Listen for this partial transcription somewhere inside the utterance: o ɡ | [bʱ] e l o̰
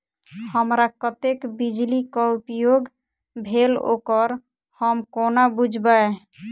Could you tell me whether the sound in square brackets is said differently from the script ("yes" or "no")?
no